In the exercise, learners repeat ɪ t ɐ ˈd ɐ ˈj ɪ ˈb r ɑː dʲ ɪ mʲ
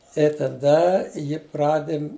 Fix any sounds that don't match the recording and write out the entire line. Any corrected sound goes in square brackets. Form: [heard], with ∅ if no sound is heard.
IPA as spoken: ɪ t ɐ ˈd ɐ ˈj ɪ [ˈp] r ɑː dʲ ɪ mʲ